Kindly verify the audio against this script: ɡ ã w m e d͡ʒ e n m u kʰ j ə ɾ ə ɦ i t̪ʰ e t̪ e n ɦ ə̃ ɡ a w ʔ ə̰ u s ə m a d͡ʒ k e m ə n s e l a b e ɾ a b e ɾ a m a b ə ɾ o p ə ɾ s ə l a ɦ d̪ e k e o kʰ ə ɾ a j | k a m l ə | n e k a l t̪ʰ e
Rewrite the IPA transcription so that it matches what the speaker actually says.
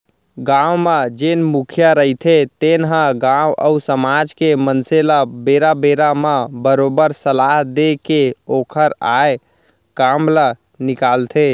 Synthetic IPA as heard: ɡ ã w m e d͡ʒ e n m u kʰ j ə ɾ ə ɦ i t̪ʰ e t̪ e n ɦ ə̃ ɡ a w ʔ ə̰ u s ə m a d͡ʒ k e m ə n s e l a b e ɾ a b e ɾ a m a b ə ɾ o b ə ɾ s ə l a ɦ d̪ e k e o kʰ ə ɾ a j | k a m l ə | n i k a l t̪ʰ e